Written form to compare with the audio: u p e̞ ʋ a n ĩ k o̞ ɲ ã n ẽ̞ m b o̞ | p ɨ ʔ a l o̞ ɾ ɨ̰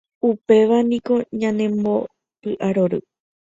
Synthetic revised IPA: u p e̞ ʋ a n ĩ k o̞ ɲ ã n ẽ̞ m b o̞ | p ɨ ʔ a ɾ o̞ ɾ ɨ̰